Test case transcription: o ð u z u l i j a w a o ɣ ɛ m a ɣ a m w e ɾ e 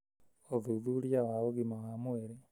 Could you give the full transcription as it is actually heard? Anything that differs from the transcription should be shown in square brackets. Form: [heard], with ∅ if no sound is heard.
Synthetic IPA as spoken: o ð u [ð] u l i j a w a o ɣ [i] m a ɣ a m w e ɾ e